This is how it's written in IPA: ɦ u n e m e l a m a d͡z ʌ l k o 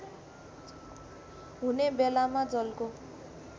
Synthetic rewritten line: ɦ u n e b e l a m a d͡z ʌ l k o